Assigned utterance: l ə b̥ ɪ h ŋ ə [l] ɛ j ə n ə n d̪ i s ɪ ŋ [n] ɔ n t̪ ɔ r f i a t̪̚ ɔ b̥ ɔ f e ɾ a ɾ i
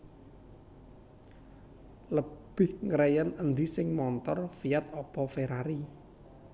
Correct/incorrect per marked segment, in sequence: incorrect: ɾ, incorrect: m

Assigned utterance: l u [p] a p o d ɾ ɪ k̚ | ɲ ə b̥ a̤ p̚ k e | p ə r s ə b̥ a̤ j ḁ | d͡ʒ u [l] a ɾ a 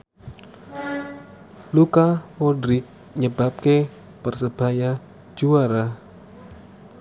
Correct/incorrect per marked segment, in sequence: incorrect: k, incorrect: none

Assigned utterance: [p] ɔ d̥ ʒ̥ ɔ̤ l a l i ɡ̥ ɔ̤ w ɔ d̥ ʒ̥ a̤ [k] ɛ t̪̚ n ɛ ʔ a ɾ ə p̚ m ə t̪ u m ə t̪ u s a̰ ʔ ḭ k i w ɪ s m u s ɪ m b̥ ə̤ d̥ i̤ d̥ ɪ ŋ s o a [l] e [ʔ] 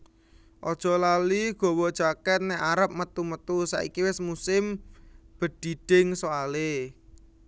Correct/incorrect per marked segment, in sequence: incorrect: ʔ, correct, correct, incorrect: none

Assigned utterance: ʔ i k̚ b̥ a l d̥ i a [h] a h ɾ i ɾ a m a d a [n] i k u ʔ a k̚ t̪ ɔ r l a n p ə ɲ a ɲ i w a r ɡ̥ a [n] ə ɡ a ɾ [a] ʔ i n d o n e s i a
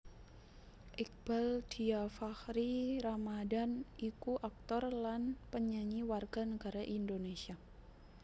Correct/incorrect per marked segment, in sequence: incorrect: f, correct, correct, correct

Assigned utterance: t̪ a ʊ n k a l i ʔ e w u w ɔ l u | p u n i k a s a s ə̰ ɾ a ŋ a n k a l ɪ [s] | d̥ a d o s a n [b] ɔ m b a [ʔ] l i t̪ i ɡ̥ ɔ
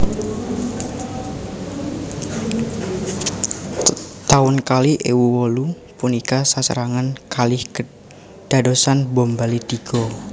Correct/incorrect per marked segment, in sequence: incorrect: h, correct, incorrect: none

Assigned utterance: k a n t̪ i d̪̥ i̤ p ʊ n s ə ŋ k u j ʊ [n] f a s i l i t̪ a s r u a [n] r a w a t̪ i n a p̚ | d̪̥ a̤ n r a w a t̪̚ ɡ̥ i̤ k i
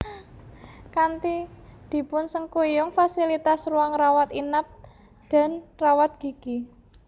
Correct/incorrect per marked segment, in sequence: incorrect: ŋ, incorrect: ŋ

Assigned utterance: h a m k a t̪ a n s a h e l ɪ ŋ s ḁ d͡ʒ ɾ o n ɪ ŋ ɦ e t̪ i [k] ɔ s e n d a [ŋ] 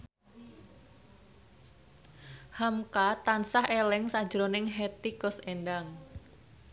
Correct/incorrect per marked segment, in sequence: correct, correct

